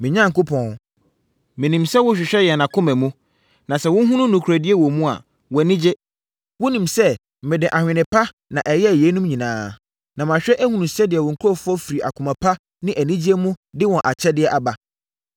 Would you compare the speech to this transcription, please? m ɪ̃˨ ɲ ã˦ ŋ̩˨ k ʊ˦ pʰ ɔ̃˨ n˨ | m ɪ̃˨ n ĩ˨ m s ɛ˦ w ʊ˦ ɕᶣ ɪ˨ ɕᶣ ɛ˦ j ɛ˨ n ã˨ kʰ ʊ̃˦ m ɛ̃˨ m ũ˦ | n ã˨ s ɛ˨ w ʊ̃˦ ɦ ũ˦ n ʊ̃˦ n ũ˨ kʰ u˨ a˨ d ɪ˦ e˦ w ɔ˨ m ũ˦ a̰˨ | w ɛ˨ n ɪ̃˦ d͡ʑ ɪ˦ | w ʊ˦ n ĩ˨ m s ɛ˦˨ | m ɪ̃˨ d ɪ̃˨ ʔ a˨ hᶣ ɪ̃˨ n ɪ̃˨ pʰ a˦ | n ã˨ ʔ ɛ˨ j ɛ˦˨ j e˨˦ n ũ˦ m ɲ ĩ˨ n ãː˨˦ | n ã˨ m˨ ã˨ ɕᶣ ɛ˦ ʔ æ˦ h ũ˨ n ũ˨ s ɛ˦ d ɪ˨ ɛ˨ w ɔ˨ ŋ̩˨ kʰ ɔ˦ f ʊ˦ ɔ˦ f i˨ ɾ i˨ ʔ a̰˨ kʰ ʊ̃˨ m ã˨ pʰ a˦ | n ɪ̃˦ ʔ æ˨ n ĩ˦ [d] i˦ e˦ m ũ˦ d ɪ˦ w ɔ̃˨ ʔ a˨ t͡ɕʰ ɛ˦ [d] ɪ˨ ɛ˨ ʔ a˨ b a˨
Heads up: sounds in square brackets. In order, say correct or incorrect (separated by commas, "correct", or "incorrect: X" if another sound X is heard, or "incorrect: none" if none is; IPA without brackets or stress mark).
incorrect: d͡ʑ, correct